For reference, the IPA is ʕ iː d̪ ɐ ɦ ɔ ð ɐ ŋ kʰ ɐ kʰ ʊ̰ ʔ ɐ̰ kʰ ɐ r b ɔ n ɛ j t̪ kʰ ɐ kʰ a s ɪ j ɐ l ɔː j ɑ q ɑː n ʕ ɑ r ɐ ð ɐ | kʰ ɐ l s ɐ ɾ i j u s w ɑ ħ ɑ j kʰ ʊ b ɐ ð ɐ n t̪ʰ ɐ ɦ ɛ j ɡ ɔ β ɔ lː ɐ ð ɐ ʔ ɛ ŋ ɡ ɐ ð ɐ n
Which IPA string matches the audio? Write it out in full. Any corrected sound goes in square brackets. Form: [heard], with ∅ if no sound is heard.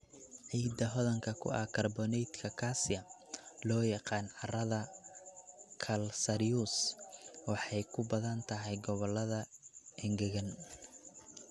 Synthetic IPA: ʕ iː d̪ ɐ ɦ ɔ ð ɐ ŋ kʰ ɐ kʰ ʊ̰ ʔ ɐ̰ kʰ ɐ r b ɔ n ɛ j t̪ kʰ ɐ kʰ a s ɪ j ɐ l ɔː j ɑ q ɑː n ʕ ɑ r ɐ ð ɐ | kʰ ɐ l s ɐ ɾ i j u s w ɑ ħ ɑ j kʰ ʊ b ɐ ð ɐ n t̪ʰ ɐ ɦ ɛ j ɡ ɔ β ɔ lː ɐ ð ɐ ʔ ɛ ŋ ɡ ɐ [ɣ] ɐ n